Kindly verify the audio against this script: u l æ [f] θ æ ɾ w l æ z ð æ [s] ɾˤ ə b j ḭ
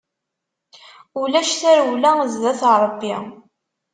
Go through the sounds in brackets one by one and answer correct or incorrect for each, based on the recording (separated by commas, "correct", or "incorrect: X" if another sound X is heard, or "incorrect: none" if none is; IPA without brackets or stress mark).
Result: incorrect: ʃ, incorrect: θ